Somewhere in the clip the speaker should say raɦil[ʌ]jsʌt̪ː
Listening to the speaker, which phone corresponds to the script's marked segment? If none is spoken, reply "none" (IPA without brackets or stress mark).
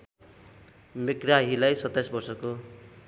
a